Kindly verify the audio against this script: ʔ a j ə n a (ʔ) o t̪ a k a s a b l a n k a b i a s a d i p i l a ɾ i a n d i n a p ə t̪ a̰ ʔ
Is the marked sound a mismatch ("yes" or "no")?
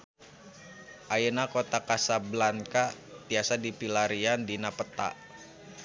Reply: yes